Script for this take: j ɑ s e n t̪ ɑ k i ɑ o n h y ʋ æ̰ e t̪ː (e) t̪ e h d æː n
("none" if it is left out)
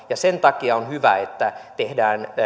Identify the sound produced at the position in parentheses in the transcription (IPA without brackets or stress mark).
æ